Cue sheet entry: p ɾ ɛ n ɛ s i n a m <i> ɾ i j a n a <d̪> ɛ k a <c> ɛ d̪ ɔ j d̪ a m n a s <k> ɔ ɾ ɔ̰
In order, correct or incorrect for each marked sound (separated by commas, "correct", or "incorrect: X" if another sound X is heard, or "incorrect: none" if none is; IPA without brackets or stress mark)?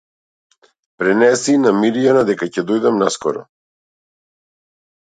correct, correct, correct, correct